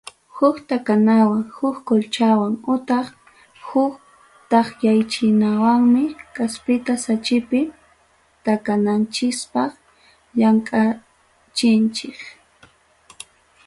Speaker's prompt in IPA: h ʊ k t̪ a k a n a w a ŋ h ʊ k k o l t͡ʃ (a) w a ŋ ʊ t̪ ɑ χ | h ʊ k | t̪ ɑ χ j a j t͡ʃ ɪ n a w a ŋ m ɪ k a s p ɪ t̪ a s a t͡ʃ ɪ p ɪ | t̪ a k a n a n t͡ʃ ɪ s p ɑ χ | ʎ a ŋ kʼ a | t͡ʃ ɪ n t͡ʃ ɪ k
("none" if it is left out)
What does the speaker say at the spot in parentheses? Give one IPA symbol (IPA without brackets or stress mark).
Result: a